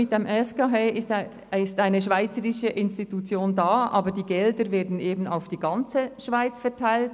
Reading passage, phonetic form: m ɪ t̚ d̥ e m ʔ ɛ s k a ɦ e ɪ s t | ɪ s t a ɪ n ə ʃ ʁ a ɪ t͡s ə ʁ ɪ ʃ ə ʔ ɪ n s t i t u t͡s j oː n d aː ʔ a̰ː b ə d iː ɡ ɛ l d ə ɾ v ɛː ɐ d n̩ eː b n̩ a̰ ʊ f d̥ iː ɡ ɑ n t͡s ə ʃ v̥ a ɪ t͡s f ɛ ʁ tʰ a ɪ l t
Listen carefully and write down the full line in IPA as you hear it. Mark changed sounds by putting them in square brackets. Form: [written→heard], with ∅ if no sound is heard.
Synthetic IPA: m ɪ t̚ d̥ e m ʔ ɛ s k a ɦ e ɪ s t | ɪ s t a ɪ n ə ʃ [ʁ→v] a ɪ t͡s ə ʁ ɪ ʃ ə ʔ ɪ n s t i t u t͡s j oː n d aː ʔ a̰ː b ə d iː ɡ ɛ l d ə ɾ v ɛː ɐ d n̩ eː b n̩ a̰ ʊ f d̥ iː ɡ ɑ n t͡s ə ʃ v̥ a ɪ t͡s f ɛ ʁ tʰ a ɪ l t

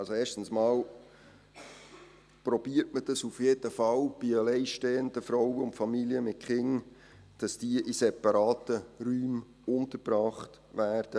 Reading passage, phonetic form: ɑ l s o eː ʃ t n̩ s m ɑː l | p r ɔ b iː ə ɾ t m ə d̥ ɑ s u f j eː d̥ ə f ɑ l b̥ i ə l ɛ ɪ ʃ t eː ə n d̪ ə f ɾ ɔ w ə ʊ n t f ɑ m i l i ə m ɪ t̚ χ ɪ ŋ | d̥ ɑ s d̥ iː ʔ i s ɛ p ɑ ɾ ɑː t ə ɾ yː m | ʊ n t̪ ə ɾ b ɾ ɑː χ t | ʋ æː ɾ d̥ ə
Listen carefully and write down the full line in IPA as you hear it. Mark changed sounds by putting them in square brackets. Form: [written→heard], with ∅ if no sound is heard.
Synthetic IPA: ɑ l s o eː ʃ t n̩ s m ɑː l | p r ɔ b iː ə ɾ t m ə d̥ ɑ s u f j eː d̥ ə f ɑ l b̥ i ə l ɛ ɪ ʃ t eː ə n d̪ ə f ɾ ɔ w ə ʊ n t f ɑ m i l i ə m ɪ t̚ χ ɪ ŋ | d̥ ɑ s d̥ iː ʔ i s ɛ p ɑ ɾ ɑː t ə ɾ yː m | ʊ n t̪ ə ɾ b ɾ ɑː χ t | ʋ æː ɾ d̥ ə

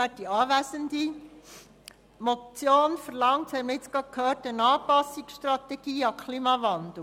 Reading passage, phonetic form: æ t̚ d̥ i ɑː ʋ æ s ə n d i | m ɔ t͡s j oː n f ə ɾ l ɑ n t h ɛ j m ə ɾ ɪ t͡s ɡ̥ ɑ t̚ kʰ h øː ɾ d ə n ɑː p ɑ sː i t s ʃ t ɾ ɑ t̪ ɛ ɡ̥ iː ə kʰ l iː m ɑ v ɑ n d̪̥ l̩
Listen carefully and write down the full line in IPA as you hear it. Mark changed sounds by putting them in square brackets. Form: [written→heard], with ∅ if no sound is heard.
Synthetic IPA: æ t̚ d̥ i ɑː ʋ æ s ə n d i | m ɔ t͡s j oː n f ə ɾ l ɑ [n→ŋ] t h ɛ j m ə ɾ ɪ t͡s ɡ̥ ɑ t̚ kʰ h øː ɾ [d→t] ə n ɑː p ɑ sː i [t→k] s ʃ t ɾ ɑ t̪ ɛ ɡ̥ iː [ə→ɑ] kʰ l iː m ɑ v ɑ n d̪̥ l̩

